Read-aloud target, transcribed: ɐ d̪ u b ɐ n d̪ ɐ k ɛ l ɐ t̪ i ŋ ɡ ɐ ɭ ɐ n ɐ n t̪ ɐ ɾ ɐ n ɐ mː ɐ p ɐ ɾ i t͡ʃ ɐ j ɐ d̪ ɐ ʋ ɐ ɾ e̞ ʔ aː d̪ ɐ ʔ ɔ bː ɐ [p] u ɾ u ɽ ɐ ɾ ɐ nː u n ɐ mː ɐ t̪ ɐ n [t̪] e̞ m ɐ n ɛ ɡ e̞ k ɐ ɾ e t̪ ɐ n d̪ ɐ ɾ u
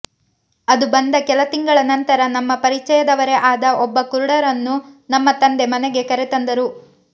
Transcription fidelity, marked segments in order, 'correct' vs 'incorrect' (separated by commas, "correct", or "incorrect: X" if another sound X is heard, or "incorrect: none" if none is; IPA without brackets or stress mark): incorrect: k, incorrect: d̪